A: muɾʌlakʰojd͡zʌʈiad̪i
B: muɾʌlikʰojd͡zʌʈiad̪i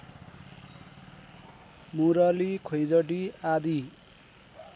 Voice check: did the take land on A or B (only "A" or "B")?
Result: B